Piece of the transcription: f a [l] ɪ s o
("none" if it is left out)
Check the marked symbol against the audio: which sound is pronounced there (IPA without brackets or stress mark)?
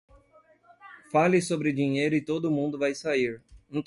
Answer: l